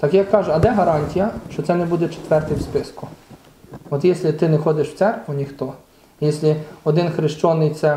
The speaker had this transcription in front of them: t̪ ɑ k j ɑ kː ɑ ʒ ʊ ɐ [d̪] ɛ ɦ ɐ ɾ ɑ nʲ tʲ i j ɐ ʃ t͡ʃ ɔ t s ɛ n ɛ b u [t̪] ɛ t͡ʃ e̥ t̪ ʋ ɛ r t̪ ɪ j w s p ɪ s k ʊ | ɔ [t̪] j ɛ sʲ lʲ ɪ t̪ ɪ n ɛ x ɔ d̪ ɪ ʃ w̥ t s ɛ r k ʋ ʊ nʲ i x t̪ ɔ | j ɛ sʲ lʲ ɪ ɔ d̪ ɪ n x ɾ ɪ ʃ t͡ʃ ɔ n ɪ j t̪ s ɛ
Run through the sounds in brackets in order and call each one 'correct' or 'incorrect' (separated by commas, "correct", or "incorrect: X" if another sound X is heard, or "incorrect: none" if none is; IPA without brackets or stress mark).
correct, incorrect: d̪, correct